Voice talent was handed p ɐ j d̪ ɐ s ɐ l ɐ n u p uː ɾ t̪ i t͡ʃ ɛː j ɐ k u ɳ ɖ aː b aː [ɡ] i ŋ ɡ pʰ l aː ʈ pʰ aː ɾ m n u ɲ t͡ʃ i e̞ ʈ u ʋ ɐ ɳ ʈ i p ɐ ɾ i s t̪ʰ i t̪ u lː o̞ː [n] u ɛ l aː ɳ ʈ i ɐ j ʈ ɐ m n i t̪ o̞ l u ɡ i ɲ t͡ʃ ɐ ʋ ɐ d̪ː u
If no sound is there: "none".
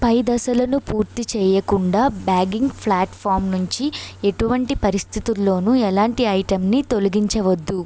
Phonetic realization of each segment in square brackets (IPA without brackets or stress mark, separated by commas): ɡ, n